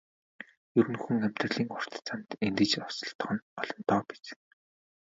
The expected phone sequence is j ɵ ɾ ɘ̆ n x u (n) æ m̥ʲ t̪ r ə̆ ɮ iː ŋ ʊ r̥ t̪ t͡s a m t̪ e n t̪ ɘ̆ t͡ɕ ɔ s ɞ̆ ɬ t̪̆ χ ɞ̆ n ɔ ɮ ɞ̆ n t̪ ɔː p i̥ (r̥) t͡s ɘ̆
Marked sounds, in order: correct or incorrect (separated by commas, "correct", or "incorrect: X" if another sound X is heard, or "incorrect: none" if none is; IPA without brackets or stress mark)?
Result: incorrect: ŋ, incorrect: none